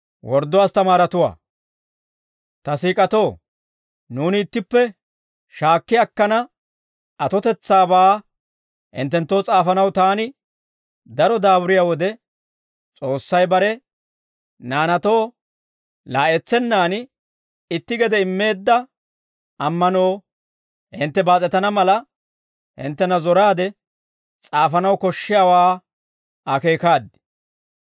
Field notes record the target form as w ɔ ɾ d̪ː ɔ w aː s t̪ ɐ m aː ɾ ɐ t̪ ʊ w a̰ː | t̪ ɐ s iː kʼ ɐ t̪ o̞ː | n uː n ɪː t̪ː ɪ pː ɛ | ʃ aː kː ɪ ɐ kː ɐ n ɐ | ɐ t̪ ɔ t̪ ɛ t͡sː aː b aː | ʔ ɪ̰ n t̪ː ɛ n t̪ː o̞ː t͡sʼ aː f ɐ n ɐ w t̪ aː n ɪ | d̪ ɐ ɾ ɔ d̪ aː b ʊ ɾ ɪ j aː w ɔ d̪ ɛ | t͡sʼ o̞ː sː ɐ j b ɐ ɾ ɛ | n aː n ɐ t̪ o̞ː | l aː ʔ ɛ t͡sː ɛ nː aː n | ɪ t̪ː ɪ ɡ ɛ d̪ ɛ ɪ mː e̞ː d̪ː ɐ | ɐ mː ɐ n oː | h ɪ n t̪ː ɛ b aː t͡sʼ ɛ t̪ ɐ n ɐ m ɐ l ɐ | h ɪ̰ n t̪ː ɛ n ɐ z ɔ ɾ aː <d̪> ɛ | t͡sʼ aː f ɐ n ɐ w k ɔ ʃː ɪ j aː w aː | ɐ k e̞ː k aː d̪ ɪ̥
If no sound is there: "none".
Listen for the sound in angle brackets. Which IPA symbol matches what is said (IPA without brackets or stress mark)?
d̪